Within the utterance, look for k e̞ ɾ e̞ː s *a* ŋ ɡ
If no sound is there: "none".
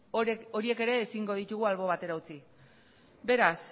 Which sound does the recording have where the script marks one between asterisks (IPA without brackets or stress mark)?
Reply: i